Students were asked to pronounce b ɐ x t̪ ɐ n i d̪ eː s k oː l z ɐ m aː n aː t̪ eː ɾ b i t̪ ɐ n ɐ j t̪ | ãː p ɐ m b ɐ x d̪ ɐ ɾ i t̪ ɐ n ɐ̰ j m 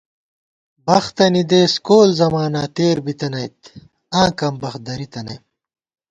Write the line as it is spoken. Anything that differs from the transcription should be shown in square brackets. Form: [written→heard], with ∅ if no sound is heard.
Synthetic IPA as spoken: b ɐ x t̪ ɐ n i d̪ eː s k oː l z ɐ m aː n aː t̪ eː ɾ b i t̪ ɐ n ɐ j t̪ | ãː [p→k] ɐ m b ɐ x d̪ ɐ ɾ i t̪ ɐ n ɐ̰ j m